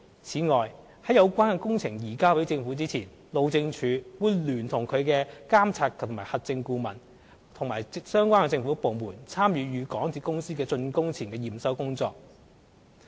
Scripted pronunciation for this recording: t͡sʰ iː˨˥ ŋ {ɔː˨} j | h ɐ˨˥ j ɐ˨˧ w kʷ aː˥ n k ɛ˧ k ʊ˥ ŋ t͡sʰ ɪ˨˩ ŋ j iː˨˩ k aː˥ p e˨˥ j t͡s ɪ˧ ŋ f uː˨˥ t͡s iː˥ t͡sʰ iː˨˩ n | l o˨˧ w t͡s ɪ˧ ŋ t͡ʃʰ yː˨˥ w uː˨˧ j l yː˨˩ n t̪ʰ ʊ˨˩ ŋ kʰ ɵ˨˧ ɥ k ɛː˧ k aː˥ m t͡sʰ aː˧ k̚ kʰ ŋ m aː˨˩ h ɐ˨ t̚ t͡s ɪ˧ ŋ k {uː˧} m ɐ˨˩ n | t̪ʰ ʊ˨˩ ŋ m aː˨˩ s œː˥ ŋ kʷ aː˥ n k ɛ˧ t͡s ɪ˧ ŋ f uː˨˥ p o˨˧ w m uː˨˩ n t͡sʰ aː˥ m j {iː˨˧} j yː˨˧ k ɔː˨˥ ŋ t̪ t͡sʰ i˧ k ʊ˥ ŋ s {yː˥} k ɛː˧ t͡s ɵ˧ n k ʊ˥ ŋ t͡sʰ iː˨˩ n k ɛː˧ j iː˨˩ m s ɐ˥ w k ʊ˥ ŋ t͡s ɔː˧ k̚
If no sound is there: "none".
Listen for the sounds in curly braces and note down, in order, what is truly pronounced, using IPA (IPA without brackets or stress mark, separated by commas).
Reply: ɔː˨, uː˧, yː˨˧, iː˥